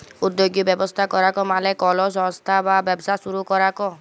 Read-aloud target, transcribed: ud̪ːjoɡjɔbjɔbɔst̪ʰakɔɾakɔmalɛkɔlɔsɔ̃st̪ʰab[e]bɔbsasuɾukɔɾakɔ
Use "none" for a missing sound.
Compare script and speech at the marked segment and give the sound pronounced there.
a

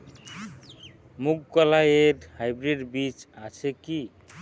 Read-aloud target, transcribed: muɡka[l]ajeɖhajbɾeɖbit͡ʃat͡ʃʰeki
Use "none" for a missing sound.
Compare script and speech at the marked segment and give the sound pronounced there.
l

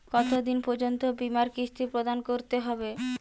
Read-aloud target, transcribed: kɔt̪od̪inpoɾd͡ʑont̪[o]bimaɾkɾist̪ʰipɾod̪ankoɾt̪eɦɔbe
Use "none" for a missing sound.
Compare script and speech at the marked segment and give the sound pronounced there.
o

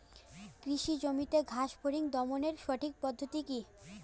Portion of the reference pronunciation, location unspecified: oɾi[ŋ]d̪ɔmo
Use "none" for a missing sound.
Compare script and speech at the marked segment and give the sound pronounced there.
ŋ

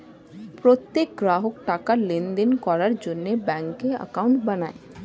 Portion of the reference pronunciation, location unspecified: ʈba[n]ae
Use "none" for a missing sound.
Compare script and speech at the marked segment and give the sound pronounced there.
n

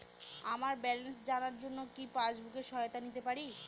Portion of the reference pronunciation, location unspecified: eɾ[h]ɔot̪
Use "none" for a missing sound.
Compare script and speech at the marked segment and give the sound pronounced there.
ʃ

